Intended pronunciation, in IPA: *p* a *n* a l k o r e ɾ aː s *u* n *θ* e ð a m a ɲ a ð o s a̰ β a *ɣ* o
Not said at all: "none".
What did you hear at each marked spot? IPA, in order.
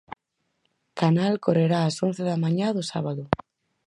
k, n, o, θ, ð

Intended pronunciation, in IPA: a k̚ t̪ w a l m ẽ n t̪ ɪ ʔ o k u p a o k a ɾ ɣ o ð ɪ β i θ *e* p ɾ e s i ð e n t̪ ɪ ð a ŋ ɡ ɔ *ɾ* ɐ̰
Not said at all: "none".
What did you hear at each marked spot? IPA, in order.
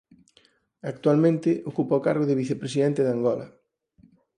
e, l

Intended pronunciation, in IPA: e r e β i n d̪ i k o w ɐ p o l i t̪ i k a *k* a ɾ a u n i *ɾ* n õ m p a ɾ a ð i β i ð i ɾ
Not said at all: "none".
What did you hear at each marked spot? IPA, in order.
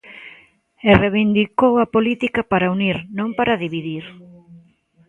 p, ɾ

